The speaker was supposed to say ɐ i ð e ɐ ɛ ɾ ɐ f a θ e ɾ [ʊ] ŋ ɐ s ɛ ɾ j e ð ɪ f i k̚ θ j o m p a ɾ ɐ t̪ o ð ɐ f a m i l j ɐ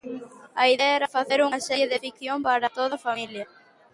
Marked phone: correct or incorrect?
incorrect